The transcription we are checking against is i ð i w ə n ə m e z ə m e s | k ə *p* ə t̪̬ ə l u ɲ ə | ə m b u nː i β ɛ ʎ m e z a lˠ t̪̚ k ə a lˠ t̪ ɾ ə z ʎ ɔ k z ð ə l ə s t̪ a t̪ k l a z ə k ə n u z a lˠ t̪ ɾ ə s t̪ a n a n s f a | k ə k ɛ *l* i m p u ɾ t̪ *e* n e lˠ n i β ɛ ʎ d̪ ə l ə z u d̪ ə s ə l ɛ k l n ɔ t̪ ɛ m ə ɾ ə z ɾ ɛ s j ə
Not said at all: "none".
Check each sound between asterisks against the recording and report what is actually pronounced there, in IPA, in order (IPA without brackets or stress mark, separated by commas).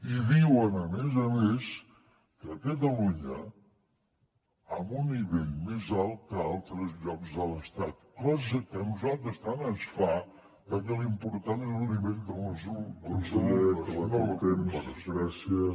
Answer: k, l, a